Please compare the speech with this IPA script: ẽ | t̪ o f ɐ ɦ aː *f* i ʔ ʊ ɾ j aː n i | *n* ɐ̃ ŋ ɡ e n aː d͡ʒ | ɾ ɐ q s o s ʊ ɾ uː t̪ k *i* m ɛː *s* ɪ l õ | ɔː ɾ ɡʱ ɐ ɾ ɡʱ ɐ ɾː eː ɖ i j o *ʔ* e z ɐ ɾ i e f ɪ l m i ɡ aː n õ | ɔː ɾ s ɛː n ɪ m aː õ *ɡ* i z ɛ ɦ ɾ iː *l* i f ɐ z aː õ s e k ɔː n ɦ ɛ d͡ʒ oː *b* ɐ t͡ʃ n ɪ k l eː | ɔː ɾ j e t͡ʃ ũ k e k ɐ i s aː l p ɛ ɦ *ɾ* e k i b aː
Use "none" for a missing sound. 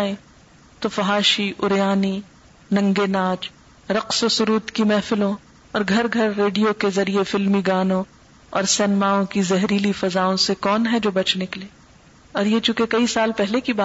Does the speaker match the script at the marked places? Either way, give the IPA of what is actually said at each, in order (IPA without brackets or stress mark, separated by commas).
ʃ, n, i, f, k, k, l, b, l